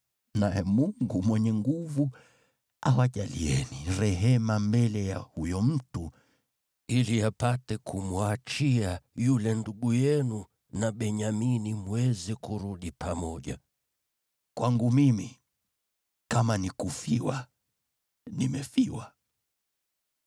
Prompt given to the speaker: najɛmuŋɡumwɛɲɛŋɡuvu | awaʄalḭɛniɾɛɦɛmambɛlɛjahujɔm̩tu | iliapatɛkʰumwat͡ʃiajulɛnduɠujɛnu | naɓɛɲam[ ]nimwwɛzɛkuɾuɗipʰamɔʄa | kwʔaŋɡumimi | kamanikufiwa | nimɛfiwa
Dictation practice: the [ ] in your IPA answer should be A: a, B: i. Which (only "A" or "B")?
B